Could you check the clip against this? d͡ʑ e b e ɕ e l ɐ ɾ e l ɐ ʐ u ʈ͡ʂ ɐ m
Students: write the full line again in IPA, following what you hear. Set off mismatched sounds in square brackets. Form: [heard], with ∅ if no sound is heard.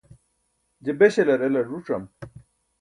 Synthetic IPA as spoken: d͡ʑ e b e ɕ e l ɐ ɾ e l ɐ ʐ u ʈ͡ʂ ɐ m

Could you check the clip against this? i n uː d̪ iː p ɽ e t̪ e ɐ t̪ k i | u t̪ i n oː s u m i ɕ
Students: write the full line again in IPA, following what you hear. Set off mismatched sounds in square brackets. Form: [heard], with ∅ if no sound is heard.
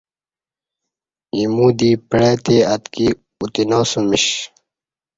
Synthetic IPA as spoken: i [m] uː d̪ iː p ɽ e t̪ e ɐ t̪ k i | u t̪ i n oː s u m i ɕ

